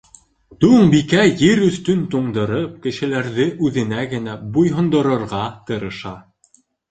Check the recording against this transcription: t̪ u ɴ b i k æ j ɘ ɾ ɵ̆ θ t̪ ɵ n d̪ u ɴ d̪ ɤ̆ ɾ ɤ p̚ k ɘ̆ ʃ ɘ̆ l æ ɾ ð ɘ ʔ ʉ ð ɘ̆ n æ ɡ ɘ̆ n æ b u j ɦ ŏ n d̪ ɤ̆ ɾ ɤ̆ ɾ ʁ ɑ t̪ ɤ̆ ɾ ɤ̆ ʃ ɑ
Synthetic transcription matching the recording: t̪ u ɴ b i k æ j ɘ ɾ ɵ̆ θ t̪ ɵ n t̪ u ɴ d̪ ɤ̆ ɾ ɤ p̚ k ɘ̆ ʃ ɘ̆ l æ ɾ ð ɘ ʔ ʉ ð ɘ̆ n æ ɡ ɘ̆ n æ b u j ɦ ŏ n d̪ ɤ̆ ɾ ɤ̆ ɾ ʁ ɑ t̪ ɤ̆ ɾ ɤ̆ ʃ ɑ